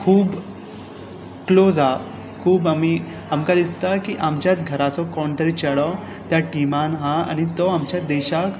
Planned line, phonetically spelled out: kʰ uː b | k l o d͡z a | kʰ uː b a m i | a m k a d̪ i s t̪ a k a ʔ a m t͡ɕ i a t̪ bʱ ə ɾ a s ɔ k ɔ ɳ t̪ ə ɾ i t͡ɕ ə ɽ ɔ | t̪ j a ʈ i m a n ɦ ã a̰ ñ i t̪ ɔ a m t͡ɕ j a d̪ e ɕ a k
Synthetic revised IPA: kʰ uː b | k l o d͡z a | kʰ uː b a m i | a m k a d̪ i s t̪ a k i ʔ a m t͡ɕ j a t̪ ɡʱ ə ɾ a t͡s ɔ k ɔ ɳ t̪ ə ɾ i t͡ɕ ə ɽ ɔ | t̪ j a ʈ i m a n ɦ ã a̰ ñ i t̪ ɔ a m t͡ɕ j a d̪ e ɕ a k

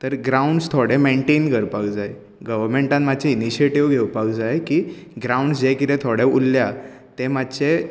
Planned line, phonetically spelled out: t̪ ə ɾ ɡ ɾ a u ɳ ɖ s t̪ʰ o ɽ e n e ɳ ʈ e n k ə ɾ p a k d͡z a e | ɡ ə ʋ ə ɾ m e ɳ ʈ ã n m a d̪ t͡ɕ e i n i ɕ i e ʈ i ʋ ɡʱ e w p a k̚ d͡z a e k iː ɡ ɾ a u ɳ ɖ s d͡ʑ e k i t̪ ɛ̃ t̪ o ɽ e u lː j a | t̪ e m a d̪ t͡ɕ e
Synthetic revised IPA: t̪ ə ɾ ɡ ɾ a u ɳ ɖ s t̪ʰ o ɽ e m e ɳ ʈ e n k ə ɾ p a k d͡z a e | ɡ ə ʋ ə ɾ m e ɳ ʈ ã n m a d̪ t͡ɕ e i n i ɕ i e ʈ i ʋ ɡʱ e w p a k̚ d͡z a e k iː ɡ ɾ a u ɳ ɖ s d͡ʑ e k i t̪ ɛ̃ t̪ʰ o ɽ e u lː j a | t̪ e m a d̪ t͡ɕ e

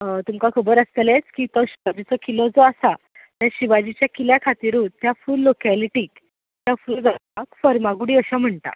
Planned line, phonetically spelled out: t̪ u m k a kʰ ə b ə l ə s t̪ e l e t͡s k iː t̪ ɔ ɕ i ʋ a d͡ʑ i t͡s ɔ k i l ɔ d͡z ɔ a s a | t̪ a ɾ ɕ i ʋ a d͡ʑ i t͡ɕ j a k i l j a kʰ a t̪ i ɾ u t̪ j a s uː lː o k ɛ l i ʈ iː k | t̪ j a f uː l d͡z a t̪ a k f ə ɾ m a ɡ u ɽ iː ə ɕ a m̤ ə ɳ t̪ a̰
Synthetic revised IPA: t̪ u m k a kʰ ə b ə ɾ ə s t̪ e l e t͡s k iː t̪ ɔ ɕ i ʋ a d͡ʑ i t͡s ɔ k i l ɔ d͡z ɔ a s a | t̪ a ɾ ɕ i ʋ a d͡ʑ i t͡ɕ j a k i l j a kʰ a t̪ i ɾ u t̪ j a f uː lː o k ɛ l i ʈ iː k | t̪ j a f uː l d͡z a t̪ a k f ə ɾ m a ɡ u ɽ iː ə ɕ a m̤ ə ɳ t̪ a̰

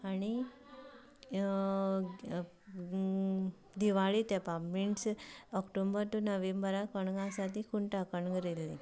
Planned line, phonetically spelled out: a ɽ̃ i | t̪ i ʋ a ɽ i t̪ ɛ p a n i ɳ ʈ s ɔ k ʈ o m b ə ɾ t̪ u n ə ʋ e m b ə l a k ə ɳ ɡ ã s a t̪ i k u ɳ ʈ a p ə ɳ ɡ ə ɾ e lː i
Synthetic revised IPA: a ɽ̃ i | d̪ i ʋ a ɭ i t̪ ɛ p a m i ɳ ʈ s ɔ k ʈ o m b ə ɾ t̪ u n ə ʋ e m b ə ɾ a k ə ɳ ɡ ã s a t̪ i k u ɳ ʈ a k ə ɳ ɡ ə ɾ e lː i

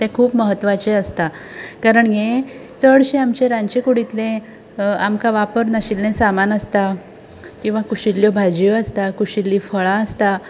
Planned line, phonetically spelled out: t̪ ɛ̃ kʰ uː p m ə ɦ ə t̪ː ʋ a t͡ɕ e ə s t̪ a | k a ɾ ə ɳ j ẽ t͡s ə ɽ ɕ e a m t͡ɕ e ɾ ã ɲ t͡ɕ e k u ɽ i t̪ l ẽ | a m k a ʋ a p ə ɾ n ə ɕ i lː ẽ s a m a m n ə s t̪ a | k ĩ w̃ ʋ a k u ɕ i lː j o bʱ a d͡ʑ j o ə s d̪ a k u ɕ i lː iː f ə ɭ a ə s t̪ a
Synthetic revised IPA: t̪ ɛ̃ kʰ uː p m ə ɦ ə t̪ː ʋ a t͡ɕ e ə s t̪ a | k a ɾ ə ɳ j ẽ t͡s ə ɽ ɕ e a m t͡ɕ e ɾ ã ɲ t͡ɕ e k u ɽ i t̪ l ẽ | a m k a ʋ a p ə ɾ n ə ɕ i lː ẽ s a m a n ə s t̪ a | k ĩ w̃ ʋ a k u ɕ i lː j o bʱ a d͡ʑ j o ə s t̪ a k u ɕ i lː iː f ə ɭ a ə s t̪ a

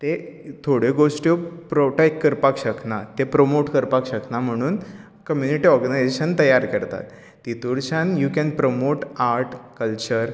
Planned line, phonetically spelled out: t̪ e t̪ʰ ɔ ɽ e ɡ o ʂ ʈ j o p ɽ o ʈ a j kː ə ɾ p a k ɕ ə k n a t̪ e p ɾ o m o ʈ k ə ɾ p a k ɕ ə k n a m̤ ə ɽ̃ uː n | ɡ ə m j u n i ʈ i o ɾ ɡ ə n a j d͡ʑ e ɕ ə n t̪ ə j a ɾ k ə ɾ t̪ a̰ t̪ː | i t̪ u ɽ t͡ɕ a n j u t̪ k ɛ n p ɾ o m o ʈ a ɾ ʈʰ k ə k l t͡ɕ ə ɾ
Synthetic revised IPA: t̪ e t̪ʰ o ɽ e ɡ o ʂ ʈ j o p ɾ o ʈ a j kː ə ɾ p a k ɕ ə k n a t̪ e p ɾ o m o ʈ k ə ɾ p a k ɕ ə k n a m̤ ə ɽ̃ uː n | k ə m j u n i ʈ i ɔ ɾ ɡ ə n a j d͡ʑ e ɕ ə n t̪ ə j a ɾ k ə ɾ t̪ a̰ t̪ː | i t̪ u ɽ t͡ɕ a n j u k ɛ n p ɾ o m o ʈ a ɾ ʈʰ k ə l t͡ɕ ə ɾ

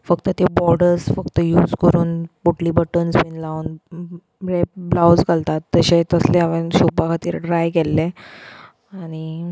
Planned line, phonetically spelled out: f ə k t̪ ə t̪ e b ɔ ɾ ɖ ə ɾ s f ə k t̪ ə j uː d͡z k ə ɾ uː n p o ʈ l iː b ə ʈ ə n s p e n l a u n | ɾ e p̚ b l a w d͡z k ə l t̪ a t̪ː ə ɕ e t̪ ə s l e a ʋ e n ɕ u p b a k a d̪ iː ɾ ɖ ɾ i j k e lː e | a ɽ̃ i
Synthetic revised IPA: f ə k t̪ ə t̪ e b ɔ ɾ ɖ ə ɾ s f ə k t̪ ə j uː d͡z k ə ɾ uː n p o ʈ l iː b ə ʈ ə n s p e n l a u n | ɾ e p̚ b l a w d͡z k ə l t̪ a t̪ː ə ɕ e t̪ ə s l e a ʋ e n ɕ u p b a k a t̪ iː ɾ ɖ ɾ a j k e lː e | a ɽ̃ i

